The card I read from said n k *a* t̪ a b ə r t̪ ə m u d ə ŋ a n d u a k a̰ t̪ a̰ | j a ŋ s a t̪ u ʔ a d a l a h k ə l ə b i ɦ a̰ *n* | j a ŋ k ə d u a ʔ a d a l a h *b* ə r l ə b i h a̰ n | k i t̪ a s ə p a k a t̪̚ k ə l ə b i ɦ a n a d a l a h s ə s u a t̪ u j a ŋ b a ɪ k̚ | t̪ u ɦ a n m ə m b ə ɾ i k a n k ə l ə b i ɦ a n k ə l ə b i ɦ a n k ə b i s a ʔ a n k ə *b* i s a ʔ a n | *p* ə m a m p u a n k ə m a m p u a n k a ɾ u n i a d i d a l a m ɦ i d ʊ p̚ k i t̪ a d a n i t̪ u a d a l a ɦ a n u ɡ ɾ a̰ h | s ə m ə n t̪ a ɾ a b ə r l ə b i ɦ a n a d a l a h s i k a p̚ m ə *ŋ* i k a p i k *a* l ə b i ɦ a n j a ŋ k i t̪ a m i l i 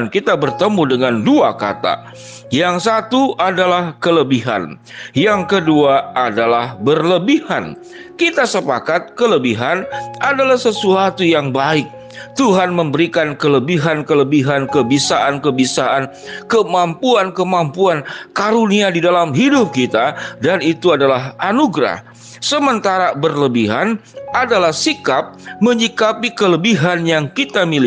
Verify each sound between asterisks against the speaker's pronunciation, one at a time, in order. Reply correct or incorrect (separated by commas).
incorrect, correct, correct, correct, incorrect, incorrect, incorrect